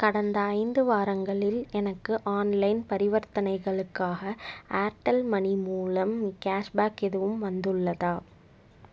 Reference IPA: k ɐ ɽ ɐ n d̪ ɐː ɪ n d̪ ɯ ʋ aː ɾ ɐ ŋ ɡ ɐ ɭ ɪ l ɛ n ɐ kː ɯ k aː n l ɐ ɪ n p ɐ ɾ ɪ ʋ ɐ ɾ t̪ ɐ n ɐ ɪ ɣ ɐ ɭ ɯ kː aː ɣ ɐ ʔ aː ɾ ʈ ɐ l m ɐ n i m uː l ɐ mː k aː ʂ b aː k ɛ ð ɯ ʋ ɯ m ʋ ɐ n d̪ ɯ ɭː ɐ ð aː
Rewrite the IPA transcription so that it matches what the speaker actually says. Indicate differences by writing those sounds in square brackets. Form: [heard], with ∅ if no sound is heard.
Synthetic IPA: k ɐ ɽ ɐ n d̪ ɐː ɪ n d̪ ɯ ʋ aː ɾ ɐ ŋ ɡ ɐ ɭ ɪ l ɛ n ɐ kː ɯ [ʔ] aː n l ɐ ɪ n p ɐ ɾ ɪ ʋ ɐ ɾ t̪ ɐ n ɐ ɪ ɣ ɐ ɭ ɯ kː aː ɣ ɐ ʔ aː ɾ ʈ ɐ l m ɐ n i m uː l ɐ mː k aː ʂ b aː k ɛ ð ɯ ʋ ɯ m ʋ ɐ n d̪ ɯ ɭː ɐ ð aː